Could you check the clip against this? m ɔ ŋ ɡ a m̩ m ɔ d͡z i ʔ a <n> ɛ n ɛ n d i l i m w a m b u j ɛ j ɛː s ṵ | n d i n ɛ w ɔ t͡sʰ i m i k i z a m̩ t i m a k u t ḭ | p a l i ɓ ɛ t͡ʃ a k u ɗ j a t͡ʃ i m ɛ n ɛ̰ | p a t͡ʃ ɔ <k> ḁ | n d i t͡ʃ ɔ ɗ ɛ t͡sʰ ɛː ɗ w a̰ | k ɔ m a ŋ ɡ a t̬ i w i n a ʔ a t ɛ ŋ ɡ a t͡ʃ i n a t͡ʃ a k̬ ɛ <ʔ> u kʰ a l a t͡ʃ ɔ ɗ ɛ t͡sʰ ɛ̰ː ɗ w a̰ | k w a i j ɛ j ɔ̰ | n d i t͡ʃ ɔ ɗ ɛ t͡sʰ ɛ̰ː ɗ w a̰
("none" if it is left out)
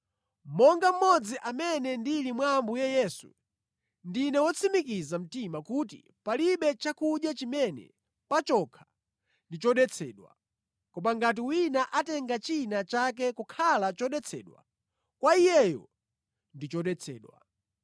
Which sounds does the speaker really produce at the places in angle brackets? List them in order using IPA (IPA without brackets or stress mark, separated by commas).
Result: m, kʰ, k